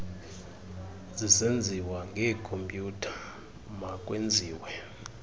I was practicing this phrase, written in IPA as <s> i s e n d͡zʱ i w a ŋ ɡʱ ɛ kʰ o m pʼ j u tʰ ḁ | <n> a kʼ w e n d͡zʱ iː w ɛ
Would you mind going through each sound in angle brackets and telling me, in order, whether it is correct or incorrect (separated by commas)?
incorrect, incorrect